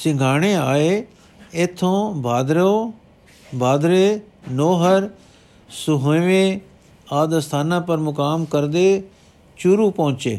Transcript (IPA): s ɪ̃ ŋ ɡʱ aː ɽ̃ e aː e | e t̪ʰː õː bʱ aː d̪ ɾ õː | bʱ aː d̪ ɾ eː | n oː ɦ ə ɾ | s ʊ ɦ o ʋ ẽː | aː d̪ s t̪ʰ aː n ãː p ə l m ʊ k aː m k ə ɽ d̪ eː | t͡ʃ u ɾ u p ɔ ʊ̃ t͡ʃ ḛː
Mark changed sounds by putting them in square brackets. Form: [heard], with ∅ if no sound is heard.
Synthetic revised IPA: s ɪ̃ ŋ ɡʱ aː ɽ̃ e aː e | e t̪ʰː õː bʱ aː d̪ ɾ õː | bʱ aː d̪ ɾ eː | n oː ɦ ə ɾ | s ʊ ɦ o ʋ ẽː | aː d̪ s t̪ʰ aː n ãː p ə [ɾ] m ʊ k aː m k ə [ɾ] d̪ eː | t͡ʃ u ɾ u p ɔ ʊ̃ t͡ʃ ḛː